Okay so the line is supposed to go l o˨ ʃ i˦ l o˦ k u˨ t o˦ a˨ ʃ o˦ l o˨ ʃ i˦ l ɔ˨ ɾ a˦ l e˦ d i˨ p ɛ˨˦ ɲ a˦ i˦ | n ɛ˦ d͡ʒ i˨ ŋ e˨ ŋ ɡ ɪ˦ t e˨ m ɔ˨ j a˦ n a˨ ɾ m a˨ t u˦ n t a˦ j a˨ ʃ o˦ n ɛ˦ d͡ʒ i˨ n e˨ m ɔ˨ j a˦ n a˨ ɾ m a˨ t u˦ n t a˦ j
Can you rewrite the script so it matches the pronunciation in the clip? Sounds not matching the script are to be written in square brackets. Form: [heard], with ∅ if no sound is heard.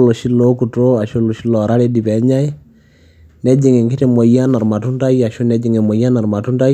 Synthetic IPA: l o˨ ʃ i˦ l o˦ k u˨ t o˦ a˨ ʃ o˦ l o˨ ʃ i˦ l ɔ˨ ɾ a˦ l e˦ d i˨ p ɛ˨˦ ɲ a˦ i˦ | n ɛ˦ d͡ʒ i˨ ŋ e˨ ŋ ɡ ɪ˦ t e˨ m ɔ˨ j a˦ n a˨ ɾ m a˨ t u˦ n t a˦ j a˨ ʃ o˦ n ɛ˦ d͡ʒ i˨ [ŋ] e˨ m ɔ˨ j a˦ n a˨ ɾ m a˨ t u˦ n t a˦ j

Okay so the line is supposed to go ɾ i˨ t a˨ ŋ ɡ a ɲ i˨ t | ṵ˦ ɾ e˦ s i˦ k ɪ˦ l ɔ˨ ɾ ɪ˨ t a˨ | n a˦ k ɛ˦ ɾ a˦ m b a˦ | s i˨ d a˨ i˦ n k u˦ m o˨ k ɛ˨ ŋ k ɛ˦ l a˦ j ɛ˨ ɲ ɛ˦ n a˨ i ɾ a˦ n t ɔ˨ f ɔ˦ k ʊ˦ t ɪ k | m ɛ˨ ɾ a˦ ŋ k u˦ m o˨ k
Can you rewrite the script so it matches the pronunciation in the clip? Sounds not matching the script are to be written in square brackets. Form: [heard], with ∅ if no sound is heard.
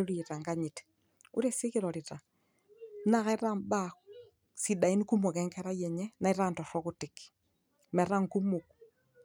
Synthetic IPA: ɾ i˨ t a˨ ŋ ɡ a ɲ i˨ t | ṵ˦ ɾ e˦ s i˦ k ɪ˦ [ɾ] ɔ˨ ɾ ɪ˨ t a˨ | n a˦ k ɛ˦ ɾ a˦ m b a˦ | s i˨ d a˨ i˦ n k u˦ m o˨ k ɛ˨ ŋ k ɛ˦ [ɾ] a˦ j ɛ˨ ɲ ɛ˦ n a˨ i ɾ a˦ n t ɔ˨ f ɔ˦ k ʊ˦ t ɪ k | m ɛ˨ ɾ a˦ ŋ k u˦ m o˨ k

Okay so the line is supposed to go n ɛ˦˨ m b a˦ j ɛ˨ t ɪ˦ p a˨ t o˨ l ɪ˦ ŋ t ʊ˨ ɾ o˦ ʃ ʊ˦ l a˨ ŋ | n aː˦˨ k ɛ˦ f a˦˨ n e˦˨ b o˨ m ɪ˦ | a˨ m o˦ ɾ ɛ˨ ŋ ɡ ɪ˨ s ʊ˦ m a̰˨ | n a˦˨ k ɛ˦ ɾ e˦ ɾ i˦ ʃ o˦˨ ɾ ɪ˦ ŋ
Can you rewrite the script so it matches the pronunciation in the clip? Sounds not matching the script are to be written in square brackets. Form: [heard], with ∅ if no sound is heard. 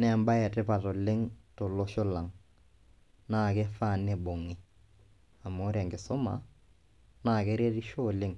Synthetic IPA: n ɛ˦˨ m b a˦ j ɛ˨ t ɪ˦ p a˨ t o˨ l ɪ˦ ŋ t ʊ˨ [l] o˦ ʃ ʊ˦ l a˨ ŋ | n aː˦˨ k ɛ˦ f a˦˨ n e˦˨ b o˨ [ŋ] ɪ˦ | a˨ m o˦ ɾ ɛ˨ ŋ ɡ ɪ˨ s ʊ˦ m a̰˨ | n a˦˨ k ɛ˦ ɾ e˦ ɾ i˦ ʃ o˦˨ [l] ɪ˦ ŋ

